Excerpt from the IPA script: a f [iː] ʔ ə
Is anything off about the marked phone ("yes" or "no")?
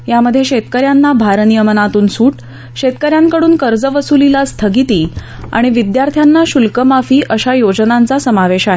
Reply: no